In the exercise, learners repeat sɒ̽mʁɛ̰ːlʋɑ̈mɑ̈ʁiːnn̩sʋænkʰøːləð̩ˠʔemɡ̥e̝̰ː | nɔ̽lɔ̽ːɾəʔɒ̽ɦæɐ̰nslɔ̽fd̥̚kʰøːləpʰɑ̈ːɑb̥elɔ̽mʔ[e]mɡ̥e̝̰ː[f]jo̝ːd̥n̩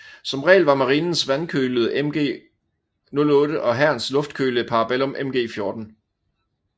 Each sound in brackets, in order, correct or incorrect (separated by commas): correct, correct